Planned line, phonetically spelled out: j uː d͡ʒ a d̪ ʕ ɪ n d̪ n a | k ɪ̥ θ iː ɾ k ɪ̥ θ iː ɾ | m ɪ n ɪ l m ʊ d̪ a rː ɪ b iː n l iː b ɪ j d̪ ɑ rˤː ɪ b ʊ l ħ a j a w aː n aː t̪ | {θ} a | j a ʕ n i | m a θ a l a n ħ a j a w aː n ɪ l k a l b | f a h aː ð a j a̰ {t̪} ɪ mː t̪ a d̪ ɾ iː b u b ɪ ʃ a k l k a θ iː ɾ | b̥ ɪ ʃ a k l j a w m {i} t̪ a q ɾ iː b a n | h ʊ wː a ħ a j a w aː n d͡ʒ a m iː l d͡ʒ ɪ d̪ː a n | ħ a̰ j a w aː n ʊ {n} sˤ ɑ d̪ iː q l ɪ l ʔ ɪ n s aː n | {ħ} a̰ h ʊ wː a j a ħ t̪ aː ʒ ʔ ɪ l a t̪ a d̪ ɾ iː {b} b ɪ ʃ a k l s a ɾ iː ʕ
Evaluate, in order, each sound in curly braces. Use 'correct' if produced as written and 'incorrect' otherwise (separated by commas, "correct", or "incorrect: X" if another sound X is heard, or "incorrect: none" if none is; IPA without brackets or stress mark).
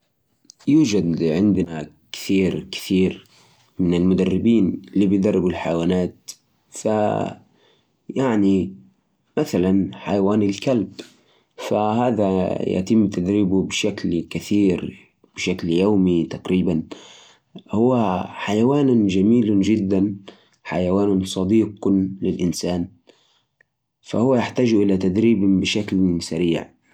incorrect: f, correct, correct, correct, incorrect: f, correct